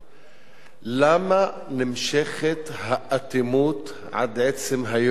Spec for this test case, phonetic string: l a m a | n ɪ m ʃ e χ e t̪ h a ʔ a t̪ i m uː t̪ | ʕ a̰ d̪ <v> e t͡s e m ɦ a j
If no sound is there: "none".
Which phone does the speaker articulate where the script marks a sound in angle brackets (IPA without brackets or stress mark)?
ʕ